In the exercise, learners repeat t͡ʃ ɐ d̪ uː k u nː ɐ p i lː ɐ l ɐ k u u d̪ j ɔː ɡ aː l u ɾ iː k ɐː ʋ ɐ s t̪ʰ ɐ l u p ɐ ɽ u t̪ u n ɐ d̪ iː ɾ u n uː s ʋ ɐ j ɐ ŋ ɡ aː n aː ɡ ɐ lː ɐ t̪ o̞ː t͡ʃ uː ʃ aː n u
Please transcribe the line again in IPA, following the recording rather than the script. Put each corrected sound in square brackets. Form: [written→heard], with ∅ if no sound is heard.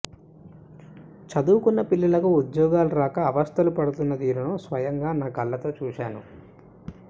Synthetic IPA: t͡ʃ ɐ d̪ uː k u nː ɐ p i lː ɐ l ɐ k u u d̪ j ɔː ɡ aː l u ɾ [iː→aː] k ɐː ʋ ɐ s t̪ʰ ɐ l u p ɐ ɽ u t̪ u [n→nː] ɐ d̪ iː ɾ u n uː s ʋ ɐ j ɐ ŋ ɡ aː n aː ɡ ɐ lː ɐ t̪ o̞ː t͡ʃ uː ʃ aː n u